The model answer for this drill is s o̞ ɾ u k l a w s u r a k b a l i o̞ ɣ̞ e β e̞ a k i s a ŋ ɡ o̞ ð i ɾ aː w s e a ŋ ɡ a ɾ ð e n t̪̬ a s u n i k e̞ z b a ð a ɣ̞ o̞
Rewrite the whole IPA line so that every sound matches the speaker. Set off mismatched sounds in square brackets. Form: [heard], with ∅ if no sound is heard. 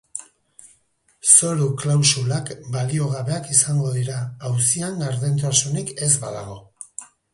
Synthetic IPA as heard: s o̞ ɾ u k l a w s u [l] a k b a l i o̞ ɣ̞ [a] β e̞ a k i s a ŋ ɡ o̞ ð i ɾ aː w s [i] a ŋ ɡ a ɾ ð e n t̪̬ a s u n i k e̞ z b a ð a ɣ̞ o̞